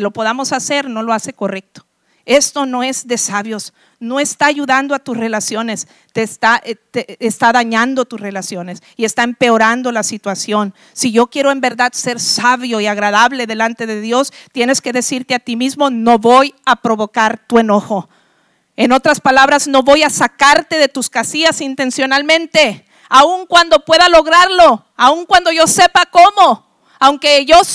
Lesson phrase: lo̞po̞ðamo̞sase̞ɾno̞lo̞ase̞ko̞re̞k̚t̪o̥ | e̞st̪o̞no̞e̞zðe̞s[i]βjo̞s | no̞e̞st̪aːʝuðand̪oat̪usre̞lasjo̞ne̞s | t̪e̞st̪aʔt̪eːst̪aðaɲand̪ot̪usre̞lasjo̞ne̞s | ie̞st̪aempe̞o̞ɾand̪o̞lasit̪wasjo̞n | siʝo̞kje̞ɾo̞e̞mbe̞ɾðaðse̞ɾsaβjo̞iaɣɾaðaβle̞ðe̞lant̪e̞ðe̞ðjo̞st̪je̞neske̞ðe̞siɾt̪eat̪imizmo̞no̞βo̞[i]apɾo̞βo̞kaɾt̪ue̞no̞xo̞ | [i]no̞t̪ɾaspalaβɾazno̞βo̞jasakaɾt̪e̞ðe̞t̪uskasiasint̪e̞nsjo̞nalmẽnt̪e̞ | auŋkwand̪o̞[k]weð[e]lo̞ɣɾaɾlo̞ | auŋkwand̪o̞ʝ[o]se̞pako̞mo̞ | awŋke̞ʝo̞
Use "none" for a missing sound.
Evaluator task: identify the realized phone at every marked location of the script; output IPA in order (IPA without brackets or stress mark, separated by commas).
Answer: a, j, e, p, a, o